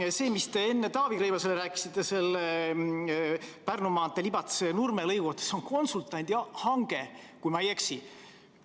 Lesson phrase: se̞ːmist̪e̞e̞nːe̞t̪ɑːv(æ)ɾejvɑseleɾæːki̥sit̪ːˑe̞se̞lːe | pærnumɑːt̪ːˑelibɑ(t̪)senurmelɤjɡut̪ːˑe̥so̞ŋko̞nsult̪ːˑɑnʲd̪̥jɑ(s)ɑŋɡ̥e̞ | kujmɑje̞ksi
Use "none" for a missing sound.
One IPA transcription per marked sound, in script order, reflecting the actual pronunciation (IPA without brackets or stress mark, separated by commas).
i, t̪, h